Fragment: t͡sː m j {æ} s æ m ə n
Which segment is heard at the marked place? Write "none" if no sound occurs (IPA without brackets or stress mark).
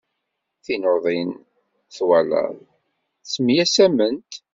æ